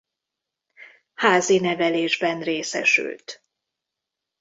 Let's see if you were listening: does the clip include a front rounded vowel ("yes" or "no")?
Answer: yes